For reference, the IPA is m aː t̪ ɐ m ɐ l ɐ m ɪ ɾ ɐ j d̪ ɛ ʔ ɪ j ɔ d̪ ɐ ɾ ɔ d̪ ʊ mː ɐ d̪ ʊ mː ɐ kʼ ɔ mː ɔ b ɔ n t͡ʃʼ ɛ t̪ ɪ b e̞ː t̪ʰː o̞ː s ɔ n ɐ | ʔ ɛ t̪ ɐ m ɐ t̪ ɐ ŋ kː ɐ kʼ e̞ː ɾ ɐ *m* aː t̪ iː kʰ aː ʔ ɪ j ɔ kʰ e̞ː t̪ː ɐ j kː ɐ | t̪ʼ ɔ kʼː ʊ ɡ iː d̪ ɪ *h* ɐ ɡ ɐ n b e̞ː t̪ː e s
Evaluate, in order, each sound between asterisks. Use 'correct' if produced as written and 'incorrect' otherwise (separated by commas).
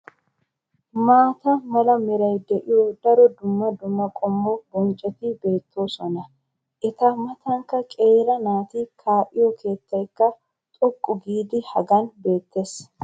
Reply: incorrect, correct